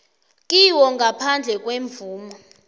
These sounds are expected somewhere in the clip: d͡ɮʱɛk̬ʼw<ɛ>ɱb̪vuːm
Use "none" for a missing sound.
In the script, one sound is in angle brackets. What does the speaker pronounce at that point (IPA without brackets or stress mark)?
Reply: e